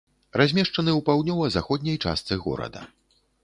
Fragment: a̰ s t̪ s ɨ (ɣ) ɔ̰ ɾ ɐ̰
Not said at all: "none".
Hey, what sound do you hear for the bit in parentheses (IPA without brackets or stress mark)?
ɣ